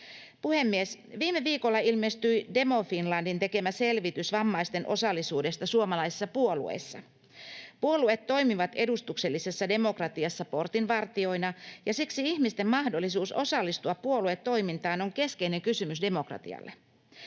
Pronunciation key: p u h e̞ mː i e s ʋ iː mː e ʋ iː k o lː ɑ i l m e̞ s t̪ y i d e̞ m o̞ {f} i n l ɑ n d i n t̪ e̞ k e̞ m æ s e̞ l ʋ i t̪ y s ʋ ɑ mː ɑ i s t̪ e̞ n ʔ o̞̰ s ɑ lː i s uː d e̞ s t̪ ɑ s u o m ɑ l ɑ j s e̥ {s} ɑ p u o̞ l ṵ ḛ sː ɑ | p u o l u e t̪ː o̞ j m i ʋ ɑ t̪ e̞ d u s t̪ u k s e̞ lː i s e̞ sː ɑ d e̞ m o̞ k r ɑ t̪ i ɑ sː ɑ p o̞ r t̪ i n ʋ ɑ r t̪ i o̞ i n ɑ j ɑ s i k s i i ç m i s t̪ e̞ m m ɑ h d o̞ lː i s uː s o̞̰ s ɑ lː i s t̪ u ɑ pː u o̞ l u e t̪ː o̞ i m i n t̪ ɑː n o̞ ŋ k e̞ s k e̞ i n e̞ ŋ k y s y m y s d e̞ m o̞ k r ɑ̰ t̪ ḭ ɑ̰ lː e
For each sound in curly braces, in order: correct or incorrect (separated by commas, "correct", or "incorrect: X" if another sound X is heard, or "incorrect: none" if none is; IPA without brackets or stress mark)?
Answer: correct, incorrect: sː